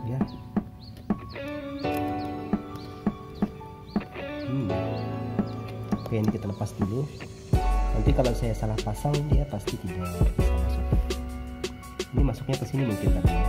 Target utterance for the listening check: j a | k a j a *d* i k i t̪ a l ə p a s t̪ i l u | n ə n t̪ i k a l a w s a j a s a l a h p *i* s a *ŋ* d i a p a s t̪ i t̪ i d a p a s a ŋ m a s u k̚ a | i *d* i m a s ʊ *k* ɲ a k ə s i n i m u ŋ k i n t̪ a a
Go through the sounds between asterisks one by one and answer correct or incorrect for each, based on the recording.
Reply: incorrect: n, incorrect: a, correct, incorrect: n, correct

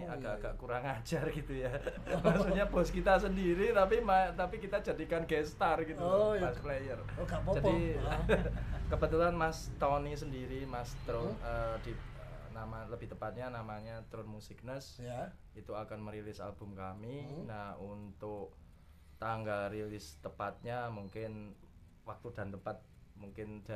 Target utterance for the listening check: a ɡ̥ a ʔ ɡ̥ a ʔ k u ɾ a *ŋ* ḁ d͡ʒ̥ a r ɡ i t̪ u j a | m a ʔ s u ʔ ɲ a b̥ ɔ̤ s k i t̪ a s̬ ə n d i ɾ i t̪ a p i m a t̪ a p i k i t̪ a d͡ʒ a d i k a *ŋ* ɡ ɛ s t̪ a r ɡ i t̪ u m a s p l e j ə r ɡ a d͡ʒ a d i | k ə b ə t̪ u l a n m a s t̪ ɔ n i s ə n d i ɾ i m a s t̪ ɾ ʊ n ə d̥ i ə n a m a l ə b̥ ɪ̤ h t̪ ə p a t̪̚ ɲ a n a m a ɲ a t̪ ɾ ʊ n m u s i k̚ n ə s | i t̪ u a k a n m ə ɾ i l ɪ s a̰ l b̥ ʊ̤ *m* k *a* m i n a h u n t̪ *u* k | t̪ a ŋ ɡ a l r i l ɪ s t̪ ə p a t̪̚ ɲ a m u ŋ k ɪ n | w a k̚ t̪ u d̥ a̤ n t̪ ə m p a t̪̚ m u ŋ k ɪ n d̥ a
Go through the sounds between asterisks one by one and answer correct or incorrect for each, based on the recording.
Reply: correct, incorrect: n, correct, correct, incorrect: ʊ

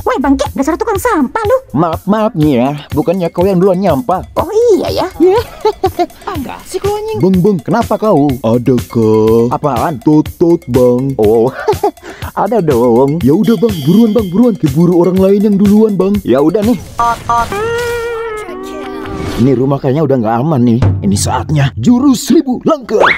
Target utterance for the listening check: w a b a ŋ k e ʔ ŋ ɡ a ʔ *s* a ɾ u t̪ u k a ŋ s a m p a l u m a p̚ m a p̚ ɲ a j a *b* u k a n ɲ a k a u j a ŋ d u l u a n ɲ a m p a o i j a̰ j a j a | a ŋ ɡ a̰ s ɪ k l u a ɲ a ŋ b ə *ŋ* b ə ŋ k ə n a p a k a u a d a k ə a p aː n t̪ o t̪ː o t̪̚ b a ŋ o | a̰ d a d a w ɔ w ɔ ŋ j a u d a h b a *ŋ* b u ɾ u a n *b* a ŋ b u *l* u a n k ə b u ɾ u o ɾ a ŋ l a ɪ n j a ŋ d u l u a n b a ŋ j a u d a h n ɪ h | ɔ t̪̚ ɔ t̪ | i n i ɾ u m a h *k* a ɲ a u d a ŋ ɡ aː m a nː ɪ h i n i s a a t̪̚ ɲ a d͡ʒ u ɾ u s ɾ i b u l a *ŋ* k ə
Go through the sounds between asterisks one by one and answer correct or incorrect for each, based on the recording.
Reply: correct, correct, correct, correct, correct, incorrect: ɾ, correct, correct

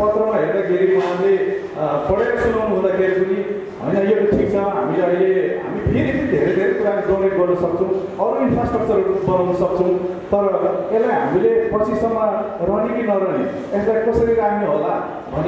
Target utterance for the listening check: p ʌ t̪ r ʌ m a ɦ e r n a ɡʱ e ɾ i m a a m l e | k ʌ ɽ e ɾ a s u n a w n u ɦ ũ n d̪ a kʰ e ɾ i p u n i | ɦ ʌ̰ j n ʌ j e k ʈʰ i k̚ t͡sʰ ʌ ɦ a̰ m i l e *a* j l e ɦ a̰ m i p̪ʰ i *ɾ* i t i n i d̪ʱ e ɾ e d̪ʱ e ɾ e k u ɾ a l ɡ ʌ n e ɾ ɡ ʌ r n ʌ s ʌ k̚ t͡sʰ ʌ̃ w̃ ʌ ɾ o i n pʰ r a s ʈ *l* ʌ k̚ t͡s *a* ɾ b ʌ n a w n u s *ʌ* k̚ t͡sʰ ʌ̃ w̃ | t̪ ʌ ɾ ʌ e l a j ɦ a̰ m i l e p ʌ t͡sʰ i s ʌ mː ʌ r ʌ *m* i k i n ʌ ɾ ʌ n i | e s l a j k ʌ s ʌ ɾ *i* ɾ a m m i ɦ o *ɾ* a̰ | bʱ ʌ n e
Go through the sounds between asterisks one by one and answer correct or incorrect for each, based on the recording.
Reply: incorrect: ʌ, correct, incorrect: r, incorrect: ʌ, correct, incorrect: n, correct, incorrect: l

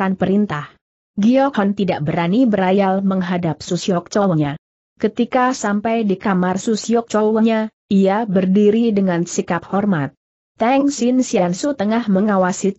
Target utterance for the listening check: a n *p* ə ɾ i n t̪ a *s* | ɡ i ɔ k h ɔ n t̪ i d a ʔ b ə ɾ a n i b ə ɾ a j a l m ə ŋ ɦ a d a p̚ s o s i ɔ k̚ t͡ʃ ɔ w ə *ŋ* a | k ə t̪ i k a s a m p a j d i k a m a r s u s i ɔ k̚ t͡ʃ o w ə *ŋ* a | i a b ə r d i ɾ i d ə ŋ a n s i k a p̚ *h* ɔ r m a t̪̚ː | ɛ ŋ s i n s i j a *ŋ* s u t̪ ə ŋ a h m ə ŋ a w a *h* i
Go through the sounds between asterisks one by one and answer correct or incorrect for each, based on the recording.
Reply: correct, incorrect: h, incorrect: ɲ, incorrect: ɲ, correct, incorrect: n, incorrect: s

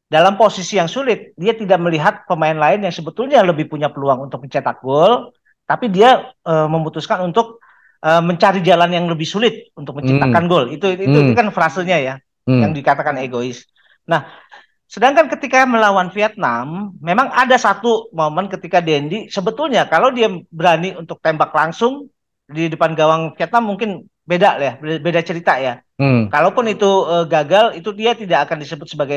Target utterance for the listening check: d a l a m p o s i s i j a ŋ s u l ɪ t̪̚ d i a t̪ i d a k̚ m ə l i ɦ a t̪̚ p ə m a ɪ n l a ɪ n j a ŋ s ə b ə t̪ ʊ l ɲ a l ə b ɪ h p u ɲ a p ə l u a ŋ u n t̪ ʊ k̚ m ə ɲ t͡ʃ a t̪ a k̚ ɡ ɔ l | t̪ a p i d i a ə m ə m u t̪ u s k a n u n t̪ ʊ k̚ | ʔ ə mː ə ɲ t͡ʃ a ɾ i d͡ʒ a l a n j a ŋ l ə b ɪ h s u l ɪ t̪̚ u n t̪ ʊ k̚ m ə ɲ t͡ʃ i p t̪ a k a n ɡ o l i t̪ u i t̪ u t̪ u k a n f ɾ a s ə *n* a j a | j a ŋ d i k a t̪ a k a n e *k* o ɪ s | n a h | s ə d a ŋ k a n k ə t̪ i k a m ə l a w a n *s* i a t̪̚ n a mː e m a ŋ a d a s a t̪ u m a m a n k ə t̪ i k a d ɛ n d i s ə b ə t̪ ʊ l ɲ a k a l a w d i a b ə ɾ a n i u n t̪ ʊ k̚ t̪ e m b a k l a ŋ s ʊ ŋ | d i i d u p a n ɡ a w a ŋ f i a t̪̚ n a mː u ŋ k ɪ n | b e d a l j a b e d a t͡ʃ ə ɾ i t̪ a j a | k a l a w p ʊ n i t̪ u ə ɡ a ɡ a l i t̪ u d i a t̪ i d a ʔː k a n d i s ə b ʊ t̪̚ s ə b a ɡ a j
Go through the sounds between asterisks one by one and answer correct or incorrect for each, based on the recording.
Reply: incorrect: ɲ, incorrect: ɡ, incorrect: f

